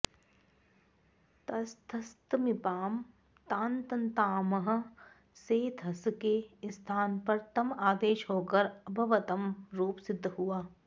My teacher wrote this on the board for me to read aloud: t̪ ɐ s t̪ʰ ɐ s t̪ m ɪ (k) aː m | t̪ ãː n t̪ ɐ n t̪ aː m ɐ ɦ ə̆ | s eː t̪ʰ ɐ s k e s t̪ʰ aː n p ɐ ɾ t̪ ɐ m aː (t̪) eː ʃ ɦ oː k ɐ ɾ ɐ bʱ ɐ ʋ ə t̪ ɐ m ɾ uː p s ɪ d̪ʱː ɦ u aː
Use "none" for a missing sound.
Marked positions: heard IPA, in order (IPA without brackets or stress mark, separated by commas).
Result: p, d̪